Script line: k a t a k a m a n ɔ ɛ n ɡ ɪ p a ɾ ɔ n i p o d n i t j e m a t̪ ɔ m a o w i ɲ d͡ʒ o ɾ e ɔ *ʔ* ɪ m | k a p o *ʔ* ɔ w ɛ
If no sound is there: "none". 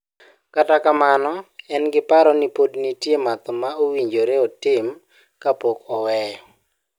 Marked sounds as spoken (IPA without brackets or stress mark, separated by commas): t, k